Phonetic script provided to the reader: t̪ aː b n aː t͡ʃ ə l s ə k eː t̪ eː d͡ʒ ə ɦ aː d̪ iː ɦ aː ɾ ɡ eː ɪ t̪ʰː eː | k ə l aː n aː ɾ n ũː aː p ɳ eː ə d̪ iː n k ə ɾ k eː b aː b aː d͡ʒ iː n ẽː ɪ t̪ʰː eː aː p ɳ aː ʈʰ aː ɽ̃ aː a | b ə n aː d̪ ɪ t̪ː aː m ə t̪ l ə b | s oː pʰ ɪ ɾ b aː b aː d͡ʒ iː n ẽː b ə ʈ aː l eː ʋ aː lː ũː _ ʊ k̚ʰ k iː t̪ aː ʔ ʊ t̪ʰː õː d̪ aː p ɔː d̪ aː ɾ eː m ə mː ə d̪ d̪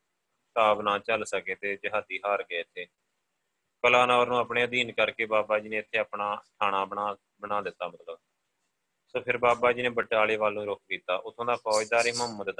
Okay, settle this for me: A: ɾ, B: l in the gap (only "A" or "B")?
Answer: A